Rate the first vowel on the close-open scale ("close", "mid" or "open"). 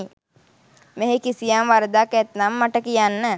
mid